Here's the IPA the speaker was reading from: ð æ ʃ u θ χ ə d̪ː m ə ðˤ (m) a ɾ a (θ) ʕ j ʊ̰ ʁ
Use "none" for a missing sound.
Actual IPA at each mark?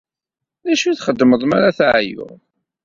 m, θ

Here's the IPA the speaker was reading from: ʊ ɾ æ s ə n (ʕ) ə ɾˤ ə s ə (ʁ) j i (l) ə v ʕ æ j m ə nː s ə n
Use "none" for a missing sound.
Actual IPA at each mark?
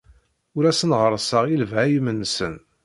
ʁ, ʁ, l

